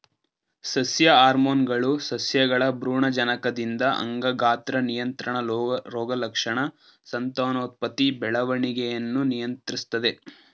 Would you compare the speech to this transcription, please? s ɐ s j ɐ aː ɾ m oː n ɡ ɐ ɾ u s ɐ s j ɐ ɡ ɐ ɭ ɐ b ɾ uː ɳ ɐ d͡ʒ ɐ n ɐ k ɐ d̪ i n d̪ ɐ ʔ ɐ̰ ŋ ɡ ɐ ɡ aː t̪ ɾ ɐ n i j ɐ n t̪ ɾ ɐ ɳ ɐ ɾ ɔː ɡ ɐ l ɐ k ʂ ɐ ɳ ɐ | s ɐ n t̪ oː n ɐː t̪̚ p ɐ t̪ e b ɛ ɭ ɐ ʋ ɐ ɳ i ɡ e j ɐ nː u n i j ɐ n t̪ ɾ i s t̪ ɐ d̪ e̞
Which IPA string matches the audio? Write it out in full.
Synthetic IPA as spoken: s ɐ s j ɐ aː ɾ m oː n ɡ ɐ ɭ u s ɐ s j ɐ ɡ ɐ ɭ ɐ b ɾ uː ɳ ɐ d͡ʒ ɐ n ɐ k ɐ d̪ i n d̪ ɐ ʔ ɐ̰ ŋ ɡ ɐ ɡ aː t̪ ɾ ɐ n i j ɐ n t̪ ɾ ɐ ɳ ɐ ɾ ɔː ɡ ɐ l ɐ k ʂ ɐ ɳ ɐ | s ɐ n t̪ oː n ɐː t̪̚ p ɐ t̪ i b ɛ ɭ ɐ ʋ ɐ ɳ i ɡ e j ɐ nː u n i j ɐ n t̪ ɾ i s t̪ ɐ d̪ e̞